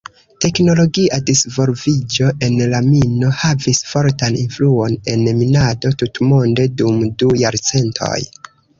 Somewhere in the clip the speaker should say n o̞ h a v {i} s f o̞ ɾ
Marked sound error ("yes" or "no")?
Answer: no